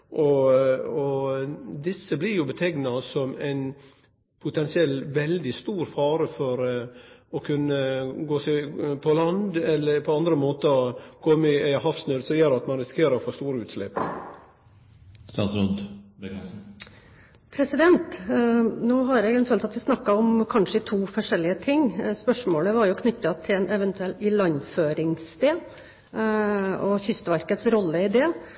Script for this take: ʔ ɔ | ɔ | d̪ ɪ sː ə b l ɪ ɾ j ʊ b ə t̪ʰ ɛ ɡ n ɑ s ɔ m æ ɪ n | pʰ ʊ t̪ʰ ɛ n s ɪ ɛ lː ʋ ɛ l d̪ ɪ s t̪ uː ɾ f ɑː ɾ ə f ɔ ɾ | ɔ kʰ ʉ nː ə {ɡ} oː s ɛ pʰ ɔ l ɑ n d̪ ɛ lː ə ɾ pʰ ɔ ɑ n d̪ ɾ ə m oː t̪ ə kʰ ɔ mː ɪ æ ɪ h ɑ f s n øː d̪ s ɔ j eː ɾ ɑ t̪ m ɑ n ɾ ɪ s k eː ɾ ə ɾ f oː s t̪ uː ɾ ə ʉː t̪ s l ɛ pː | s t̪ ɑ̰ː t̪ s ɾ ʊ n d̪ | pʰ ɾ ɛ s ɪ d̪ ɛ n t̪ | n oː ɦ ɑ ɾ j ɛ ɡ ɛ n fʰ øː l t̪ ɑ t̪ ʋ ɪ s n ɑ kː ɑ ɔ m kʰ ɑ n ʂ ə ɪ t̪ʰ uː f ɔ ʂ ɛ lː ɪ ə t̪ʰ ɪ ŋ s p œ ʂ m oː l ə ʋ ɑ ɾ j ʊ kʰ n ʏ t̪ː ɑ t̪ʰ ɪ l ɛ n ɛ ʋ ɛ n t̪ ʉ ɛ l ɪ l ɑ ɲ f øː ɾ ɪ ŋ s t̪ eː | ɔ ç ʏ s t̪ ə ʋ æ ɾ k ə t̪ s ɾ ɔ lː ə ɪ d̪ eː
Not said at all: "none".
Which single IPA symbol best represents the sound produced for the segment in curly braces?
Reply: ɡ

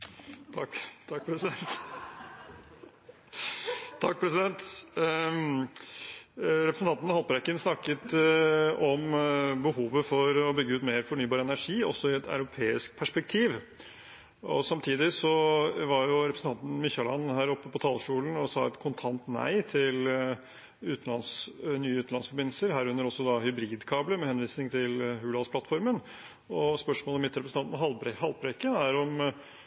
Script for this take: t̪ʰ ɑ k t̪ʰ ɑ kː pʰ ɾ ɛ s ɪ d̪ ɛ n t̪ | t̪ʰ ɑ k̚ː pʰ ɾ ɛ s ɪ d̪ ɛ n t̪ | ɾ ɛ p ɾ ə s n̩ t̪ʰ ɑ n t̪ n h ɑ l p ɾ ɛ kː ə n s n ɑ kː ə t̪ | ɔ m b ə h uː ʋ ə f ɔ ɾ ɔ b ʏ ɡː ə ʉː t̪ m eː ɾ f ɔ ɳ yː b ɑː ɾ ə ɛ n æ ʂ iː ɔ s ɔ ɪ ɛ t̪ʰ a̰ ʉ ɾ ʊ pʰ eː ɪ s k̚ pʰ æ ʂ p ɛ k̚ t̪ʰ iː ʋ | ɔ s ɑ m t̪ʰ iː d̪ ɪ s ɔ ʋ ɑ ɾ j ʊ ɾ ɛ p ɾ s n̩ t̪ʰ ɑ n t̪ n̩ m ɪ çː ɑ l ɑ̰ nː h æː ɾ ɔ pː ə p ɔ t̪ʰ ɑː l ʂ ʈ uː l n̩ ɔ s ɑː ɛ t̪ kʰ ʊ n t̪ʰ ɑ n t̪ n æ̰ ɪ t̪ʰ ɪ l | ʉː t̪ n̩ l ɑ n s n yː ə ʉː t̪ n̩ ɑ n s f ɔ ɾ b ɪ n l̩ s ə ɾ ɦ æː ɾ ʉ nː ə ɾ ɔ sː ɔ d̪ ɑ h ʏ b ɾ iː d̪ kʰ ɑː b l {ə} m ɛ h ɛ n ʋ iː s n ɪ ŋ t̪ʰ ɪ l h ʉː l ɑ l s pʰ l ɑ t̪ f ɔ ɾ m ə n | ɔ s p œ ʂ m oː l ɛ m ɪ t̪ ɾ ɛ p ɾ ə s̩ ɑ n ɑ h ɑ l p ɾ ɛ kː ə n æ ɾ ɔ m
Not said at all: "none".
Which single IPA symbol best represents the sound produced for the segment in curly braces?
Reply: ə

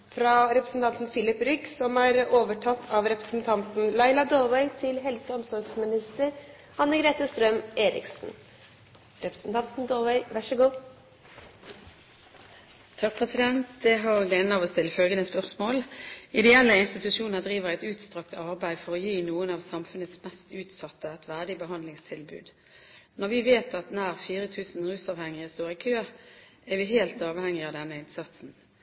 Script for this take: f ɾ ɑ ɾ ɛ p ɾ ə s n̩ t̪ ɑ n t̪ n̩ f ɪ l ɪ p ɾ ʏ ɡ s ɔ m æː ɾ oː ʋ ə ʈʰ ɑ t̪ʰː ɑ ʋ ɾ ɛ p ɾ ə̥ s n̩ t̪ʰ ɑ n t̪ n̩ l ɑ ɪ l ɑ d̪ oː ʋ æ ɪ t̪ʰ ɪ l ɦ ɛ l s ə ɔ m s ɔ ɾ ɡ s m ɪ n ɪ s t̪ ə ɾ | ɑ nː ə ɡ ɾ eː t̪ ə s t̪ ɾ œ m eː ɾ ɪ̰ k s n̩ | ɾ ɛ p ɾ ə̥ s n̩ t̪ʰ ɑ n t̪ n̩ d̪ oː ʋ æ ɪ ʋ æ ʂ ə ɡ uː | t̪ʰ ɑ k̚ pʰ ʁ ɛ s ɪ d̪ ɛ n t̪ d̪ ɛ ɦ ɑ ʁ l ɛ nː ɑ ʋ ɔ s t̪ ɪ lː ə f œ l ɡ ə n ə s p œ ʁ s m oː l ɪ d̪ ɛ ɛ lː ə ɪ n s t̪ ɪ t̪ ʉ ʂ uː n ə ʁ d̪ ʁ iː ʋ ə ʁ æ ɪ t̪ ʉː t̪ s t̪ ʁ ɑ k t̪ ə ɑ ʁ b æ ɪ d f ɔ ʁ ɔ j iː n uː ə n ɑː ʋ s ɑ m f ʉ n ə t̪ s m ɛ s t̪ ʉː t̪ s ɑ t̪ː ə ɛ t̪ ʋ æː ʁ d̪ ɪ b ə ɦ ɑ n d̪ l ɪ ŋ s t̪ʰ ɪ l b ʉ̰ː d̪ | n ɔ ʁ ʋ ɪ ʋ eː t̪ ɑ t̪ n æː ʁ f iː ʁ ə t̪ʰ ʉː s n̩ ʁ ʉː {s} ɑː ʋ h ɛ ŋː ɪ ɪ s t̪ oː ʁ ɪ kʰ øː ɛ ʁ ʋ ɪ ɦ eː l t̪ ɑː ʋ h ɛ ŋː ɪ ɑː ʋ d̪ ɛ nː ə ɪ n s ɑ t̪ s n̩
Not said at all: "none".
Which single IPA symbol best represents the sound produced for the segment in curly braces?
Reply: s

